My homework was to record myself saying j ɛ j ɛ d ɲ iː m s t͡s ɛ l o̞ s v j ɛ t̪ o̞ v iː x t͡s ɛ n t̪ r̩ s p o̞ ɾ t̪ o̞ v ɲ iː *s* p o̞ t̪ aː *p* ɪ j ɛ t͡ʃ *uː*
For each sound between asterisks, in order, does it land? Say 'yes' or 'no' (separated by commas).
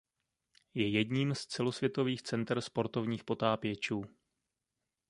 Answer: no, yes, yes